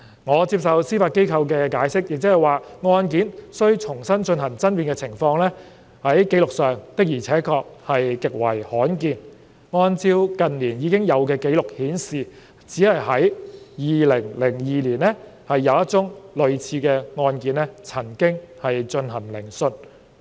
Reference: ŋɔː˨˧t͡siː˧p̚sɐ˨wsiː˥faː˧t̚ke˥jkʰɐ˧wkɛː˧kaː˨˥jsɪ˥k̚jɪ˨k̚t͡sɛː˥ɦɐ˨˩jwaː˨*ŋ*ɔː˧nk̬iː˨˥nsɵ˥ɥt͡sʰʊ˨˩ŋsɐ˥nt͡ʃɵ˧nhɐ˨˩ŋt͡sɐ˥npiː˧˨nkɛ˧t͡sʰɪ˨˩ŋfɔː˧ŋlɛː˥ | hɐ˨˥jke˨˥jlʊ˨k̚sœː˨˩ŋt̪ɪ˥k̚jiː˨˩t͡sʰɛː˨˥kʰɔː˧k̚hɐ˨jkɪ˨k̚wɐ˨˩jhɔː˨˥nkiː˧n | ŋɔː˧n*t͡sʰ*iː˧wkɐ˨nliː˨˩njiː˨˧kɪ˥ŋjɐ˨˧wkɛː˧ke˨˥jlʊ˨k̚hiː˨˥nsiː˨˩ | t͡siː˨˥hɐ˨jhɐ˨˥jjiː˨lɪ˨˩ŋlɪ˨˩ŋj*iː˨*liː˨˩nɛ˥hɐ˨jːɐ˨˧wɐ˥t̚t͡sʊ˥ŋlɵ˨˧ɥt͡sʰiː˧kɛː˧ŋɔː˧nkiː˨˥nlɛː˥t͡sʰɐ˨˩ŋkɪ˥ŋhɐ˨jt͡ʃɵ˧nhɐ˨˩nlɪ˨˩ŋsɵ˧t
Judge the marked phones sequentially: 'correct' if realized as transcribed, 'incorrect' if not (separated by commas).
correct, incorrect, correct